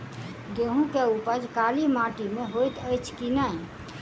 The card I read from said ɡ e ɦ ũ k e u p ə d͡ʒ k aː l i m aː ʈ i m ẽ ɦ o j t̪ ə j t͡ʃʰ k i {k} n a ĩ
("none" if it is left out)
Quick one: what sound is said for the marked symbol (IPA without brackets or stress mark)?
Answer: none